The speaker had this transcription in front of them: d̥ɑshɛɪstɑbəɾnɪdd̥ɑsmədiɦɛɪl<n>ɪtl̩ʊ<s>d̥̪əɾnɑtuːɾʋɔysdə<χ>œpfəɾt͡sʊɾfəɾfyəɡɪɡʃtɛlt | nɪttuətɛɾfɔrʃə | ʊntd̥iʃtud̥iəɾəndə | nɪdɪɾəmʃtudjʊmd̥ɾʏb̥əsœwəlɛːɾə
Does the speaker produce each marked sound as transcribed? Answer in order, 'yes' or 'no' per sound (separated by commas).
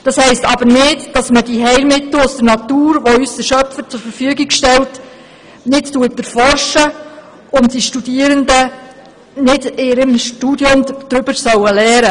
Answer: no, yes, no